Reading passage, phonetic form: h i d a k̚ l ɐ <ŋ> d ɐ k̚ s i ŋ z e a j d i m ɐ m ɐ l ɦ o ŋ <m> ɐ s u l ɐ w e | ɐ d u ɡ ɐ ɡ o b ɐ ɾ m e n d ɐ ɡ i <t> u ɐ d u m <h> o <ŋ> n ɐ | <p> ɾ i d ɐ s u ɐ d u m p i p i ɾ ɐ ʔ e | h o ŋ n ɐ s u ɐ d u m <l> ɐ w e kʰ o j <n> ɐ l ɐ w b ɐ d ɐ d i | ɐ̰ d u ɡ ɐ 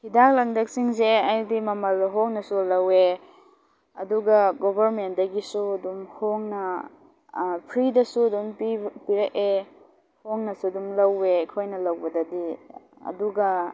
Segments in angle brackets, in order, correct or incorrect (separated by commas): correct, incorrect, incorrect, correct, correct, incorrect, correct, correct